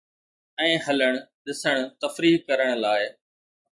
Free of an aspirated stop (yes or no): yes